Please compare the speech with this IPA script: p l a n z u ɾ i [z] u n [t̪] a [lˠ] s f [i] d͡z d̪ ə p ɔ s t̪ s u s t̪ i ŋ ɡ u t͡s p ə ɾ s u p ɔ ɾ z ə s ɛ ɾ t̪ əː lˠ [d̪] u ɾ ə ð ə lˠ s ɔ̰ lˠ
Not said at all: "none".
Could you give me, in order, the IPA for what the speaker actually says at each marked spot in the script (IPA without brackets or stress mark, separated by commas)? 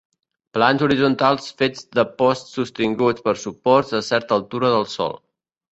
z, t̪, lˠ, e, t̪